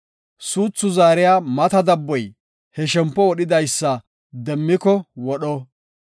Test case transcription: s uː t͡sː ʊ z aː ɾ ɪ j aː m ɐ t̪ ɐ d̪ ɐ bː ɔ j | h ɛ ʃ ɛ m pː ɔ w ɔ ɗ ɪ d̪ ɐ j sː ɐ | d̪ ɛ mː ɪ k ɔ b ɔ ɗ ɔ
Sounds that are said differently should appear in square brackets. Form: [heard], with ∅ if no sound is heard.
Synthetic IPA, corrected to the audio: s uː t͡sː ʊ z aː ɾ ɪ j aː m ɐ t̪ ɐ d̪ ɐ bː ɔ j | h ɛ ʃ ɛ m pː ɔ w ɔ ɗ ɪ d̪ ɐ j sː ɐ | d̪ ɛ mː ɪ k ɔ [w] ɔ ɗ ɔ